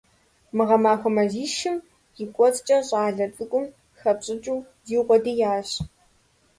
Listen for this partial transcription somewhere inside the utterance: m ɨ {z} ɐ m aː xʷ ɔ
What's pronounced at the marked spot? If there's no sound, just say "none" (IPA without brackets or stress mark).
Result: ʁ